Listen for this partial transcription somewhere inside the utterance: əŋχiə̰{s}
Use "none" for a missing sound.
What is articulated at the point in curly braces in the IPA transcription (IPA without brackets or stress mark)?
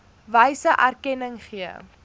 none